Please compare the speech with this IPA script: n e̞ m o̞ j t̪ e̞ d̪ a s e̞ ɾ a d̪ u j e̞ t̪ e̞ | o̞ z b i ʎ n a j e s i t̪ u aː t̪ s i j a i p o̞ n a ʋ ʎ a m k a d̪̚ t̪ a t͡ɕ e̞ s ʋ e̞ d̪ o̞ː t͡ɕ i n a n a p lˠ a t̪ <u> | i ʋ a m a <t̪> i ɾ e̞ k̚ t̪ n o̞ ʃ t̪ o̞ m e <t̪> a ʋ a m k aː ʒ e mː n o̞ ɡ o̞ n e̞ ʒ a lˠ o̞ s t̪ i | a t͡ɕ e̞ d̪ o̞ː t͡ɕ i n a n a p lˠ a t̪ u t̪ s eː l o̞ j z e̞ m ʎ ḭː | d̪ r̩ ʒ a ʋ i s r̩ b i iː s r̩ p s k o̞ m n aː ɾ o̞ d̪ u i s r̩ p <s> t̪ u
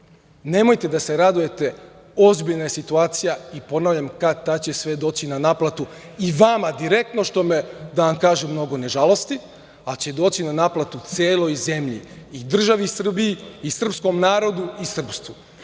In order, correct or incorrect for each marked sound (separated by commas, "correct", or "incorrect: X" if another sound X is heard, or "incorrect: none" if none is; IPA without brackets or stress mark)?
correct, incorrect: d̪, incorrect: d̪, correct